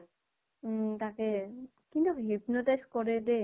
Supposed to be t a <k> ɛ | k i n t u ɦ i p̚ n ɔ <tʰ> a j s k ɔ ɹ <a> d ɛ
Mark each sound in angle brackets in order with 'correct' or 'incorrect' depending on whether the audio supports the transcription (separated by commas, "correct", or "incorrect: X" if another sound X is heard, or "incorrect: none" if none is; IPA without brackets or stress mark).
correct, incorrect: t, incorrect: ɛ